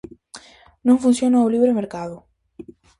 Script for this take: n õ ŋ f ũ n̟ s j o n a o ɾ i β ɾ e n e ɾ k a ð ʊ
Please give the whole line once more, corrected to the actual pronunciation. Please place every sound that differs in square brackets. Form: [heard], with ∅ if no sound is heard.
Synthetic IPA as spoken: n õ ŋ f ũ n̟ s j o n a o [l] i β ɾ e [m] e ɾ k a ð ʊ